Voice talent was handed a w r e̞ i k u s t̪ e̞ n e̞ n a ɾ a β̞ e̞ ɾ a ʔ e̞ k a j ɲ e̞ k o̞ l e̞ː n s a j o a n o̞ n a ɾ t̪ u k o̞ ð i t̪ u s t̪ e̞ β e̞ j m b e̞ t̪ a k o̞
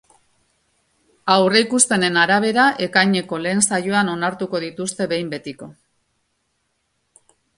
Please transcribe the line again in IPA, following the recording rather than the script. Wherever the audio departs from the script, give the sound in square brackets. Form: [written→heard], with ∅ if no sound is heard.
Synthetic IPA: a w r e̞ i k u s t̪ e̞ n e̞ n a ɾ a β̞ e̞ ɾ a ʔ e̞ k a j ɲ e̞ k o̞ l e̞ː n s a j o a n o̞ n a ɾ t̪ u k o̞ ð i t̪ u s t̪ e̞ β e̞ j m b e̞ t̪ [a→i] k o̞